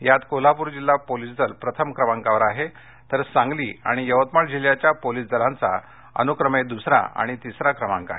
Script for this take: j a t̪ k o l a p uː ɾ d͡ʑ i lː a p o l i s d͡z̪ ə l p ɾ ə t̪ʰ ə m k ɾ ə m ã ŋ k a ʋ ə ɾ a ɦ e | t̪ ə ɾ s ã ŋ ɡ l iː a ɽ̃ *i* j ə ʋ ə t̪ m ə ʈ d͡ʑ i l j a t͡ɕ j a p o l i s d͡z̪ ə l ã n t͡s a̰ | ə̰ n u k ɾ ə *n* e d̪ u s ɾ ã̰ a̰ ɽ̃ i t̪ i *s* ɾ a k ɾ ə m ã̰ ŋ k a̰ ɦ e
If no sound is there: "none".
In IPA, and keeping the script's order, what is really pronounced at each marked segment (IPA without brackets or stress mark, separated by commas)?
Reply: i, m, s